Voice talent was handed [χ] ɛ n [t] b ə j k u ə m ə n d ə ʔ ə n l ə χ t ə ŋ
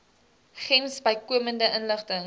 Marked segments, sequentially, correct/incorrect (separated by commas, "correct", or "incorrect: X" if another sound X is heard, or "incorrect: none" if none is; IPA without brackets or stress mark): correct, incorrect: s